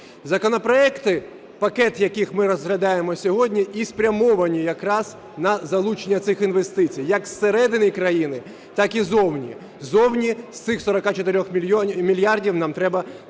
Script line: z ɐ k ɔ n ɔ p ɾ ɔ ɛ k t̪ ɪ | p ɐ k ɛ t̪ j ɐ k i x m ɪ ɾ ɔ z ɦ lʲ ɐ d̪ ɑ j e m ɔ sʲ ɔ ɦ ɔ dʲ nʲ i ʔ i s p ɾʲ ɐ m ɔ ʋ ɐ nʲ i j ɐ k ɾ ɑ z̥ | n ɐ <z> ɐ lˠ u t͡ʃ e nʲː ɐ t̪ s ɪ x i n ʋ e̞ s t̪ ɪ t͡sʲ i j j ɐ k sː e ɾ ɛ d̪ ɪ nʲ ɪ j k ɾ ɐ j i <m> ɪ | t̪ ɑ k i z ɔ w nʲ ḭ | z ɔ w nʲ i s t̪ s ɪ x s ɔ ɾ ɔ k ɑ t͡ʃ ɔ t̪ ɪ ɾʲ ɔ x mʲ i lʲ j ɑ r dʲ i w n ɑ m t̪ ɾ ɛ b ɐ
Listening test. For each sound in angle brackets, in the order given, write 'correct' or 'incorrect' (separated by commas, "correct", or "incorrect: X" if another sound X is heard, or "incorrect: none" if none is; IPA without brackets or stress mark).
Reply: correct, incorrect: n